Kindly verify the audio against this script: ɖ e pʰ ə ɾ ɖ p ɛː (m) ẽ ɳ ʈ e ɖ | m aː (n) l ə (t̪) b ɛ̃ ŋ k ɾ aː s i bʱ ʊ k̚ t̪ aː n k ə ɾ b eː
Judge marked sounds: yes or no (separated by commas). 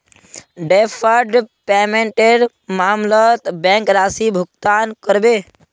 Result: yes, no, yes